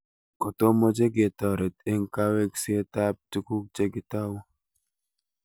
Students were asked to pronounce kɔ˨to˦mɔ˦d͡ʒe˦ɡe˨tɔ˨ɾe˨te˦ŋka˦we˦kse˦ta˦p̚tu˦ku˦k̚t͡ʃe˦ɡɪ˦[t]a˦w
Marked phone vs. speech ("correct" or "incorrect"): correct